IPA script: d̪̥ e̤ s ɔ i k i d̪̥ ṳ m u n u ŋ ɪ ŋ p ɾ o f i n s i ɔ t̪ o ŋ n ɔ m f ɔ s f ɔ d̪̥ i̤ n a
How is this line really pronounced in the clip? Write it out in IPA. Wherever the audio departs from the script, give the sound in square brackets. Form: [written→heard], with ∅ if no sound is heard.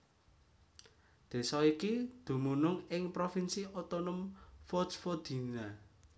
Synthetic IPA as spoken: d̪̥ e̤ s ɔ i k i d̪̥ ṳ m u n [u→ʊ] ŋ ɪ ŋ p ɾ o f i n s i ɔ t̪ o [ŋ→∅] n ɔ m f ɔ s f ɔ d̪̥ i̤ n a

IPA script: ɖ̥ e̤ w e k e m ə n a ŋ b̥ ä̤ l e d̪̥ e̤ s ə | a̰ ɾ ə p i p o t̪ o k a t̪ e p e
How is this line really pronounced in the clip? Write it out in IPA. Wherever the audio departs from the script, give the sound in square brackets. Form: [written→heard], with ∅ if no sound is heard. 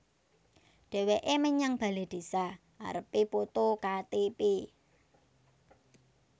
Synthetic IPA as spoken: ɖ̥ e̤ w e [k→ʔ] e m ə [n→ɲ] a ŋ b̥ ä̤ l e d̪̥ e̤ s [ə→a] | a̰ ɾ ə p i p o t̪ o k a t̪ e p e

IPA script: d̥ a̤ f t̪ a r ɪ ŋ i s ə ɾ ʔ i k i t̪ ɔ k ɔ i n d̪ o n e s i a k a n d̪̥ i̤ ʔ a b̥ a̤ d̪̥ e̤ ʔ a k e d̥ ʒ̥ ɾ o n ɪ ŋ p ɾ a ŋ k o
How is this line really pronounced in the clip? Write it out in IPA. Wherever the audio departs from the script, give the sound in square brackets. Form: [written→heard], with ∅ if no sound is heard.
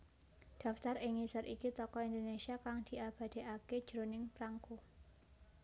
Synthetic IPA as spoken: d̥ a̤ f t̪ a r ɪ ŋ i s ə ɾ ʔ i k i t̪ ɔ k ɔ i n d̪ o n e s i a k a [n→ŋ] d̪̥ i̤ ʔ a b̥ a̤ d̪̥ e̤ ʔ a k e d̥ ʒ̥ ɾ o n ɪ ŋ p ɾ a ŋ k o

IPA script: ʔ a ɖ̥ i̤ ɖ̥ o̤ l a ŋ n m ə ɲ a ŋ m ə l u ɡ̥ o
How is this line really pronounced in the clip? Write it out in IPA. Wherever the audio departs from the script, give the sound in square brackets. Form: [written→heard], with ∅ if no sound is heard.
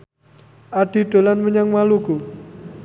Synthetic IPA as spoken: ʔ a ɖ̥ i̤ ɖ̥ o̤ l a [ŋ→∅] n m ə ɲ a ŋ m [ə→a] l u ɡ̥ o

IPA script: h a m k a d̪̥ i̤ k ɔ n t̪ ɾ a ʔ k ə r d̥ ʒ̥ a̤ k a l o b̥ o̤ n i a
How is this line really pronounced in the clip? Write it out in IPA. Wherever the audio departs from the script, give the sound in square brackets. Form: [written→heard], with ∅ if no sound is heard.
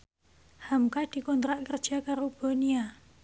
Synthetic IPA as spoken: h a m k a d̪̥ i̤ k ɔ n t̪ ɾ a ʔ k ə r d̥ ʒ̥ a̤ k a [l→ɾ] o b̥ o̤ n i a

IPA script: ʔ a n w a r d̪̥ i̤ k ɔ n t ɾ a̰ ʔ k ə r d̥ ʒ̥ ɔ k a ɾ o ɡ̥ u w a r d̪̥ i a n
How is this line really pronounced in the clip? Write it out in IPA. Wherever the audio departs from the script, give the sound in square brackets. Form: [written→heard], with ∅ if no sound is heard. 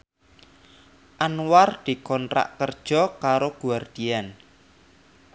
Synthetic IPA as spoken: ʔ a n w a r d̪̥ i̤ k ɔ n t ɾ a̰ ʔ k ə r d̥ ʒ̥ ɔ k a ɾ o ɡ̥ u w a r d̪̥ i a n

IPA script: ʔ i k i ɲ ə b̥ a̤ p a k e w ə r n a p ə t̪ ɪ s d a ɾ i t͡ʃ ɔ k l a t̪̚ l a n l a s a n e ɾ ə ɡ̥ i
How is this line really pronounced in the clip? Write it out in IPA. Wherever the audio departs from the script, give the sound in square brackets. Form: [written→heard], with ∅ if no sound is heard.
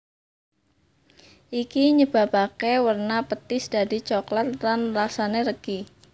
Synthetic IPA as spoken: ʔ i k i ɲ ə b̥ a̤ p a k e w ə r n a p ə t̪ ɪ s d a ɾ i t͡ʃ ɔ k l a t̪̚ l a n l a s a n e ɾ ə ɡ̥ i

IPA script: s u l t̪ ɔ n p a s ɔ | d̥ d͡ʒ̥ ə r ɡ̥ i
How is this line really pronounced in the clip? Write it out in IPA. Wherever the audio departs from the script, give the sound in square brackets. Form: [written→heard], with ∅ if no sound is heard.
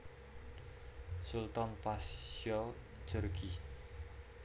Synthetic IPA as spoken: s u l t̪ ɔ n p a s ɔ | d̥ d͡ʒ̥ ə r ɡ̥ i

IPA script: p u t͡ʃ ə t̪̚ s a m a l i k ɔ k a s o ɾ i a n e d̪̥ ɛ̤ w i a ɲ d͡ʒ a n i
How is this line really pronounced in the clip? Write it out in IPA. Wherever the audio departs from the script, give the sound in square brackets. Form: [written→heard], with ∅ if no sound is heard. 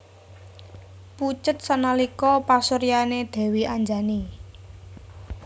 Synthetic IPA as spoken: p u t͡ʃ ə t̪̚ s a [m→n] a l i k ɔ [k→p] a s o ɾ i a n e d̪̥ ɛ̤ w i a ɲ d͡ʒ a n i

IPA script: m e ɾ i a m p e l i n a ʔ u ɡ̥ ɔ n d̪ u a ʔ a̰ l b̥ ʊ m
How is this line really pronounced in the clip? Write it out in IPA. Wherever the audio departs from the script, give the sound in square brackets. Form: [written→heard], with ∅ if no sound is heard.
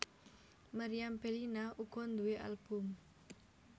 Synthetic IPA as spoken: m [e→a] ɾ i a m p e l i n a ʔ u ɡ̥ ɔ n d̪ u [a→e] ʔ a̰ l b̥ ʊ m

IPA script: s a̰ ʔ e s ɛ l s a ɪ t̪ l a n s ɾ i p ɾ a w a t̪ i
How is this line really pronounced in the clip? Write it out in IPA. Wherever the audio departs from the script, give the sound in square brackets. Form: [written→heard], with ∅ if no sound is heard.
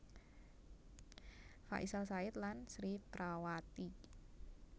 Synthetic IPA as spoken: [s→f] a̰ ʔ [e→i] s [ɛ→a] l s a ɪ t̪ l a n s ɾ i p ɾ a w a t̪ i

